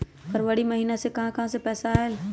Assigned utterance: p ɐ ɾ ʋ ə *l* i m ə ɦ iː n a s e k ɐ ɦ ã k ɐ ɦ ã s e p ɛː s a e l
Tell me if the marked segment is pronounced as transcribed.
no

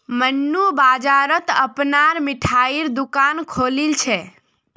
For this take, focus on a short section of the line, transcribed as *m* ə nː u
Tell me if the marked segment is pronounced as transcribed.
yes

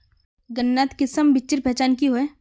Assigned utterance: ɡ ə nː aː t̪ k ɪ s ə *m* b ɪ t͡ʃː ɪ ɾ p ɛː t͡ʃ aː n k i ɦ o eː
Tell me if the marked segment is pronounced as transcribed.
yes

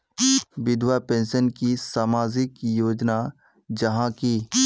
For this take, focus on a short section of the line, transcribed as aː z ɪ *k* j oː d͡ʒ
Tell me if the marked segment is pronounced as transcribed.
yes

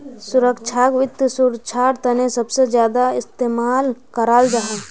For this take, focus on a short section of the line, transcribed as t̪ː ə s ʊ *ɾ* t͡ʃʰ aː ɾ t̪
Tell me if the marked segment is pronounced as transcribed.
yes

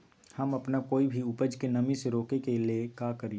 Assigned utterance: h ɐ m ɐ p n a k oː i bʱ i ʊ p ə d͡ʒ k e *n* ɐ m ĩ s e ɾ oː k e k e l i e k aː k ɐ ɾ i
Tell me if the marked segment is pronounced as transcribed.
yes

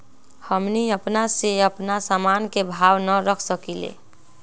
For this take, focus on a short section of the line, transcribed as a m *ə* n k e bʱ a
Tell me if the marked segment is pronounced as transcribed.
no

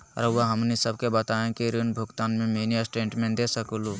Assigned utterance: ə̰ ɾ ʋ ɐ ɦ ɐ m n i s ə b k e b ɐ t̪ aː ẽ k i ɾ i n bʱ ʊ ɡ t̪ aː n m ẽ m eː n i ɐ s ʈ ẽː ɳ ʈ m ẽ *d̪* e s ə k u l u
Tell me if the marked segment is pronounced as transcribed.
yes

